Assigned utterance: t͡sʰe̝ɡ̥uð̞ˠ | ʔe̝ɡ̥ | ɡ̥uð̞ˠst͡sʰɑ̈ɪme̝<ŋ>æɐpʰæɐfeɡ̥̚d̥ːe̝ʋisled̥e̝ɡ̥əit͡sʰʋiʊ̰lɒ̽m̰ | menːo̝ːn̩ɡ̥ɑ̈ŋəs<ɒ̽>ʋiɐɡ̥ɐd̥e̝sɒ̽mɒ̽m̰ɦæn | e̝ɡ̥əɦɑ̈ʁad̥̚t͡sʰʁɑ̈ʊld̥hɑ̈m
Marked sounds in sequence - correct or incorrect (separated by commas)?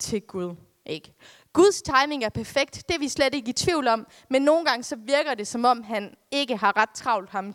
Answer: correct, correct